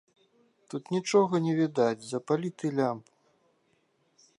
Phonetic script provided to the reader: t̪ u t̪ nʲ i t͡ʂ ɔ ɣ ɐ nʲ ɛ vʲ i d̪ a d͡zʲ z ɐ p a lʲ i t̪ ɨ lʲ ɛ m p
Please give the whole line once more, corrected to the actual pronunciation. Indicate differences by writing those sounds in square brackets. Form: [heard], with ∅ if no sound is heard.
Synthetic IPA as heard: t̪ u t̪ nʲ i t͡ʂ ɔ ɣ ɐ nʲ ɛ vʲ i d̪ a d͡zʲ z ɐ p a lʲ i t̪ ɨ lʲ [a] m p